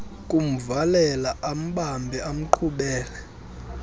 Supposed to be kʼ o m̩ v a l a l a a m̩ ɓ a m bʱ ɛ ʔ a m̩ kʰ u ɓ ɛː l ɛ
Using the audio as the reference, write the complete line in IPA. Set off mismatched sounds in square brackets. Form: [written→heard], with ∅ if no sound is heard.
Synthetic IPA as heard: kʼ [o→u] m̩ v a l [a→ɛ] l a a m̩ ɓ a m bʱ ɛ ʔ a m̩ [kʰ→ǃʰ] u ɓ ɛː l ɛ